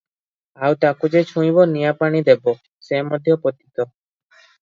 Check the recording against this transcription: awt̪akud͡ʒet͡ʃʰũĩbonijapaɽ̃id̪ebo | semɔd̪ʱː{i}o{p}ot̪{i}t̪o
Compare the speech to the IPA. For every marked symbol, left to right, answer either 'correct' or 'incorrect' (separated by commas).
incorrect, correct, correct